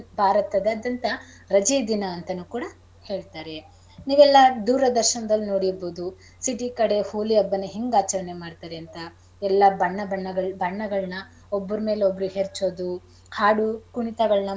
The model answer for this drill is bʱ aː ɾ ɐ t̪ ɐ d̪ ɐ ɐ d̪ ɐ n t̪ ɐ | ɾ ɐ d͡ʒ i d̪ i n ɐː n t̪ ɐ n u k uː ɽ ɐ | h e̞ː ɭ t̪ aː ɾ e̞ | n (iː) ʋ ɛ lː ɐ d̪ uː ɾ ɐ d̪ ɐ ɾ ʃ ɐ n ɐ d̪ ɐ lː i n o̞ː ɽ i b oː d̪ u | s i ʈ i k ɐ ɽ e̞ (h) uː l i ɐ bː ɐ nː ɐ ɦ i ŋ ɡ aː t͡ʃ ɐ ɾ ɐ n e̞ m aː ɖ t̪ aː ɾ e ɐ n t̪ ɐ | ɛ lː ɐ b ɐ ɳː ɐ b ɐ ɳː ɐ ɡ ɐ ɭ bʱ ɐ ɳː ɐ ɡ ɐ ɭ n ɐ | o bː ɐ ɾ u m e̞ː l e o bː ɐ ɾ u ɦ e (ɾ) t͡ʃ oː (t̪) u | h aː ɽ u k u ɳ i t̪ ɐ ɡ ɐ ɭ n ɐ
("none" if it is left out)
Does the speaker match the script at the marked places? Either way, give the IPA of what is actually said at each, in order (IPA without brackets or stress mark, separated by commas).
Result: iː, h, ɾ, d̪